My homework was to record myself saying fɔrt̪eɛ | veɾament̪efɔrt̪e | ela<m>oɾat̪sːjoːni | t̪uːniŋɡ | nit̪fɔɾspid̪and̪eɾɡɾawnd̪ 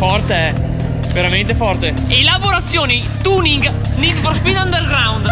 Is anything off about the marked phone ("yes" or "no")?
yes